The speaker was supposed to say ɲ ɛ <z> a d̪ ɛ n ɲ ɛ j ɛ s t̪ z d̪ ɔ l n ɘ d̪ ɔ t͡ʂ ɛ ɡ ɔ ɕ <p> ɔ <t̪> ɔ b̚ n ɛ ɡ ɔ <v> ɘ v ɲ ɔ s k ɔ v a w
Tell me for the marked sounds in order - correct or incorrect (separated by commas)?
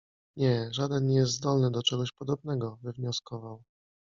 incorrect, correct, incorrect, correct